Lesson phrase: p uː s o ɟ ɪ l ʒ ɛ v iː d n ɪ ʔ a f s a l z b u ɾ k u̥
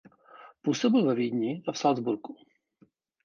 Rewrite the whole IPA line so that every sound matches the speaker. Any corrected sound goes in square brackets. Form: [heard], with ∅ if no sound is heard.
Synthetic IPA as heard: p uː s o [b] ɪ l [v] ɛ v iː d [ɲ] ɪ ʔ a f s a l z b u ɾ k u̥